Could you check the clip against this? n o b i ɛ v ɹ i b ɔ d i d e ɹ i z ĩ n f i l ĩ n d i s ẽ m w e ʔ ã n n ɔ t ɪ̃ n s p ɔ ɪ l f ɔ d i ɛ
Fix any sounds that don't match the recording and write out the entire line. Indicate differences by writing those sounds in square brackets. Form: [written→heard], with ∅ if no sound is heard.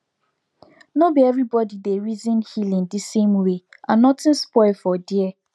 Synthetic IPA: n o b i ɛ v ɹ i b ɔ d i d e ɹ i z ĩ n [f→h] i l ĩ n d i s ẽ m w e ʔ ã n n ɔ t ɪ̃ n s p ɔ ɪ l f ɔ d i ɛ